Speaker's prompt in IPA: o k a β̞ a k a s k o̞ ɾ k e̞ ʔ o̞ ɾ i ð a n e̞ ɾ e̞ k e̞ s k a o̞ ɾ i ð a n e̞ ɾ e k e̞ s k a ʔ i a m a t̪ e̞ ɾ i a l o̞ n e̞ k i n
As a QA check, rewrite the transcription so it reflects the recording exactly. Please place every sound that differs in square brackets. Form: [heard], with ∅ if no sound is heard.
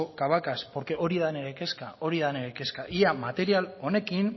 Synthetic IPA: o k a β̞ a k a s [p] o̞ ɾ k e̞ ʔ o̞ ɾ i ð a n e̞ ɾ e̞ k e̞ s k a o̞ ɾ i ð a n e̞ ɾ e k e̞ s k a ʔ i a m a t̪ e̞ ɾ i a l o̞ n e̞ k i n